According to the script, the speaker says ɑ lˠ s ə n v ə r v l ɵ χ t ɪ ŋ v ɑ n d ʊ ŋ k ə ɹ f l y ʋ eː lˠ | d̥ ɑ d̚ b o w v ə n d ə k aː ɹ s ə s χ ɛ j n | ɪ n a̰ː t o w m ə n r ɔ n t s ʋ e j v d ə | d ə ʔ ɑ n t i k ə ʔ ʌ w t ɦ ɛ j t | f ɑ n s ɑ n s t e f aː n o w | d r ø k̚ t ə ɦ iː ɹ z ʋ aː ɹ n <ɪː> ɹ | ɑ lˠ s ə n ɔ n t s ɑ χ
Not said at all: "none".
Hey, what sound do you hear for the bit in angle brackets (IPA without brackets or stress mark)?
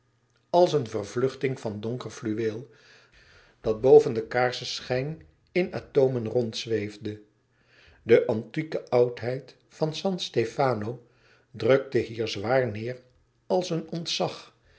ɪː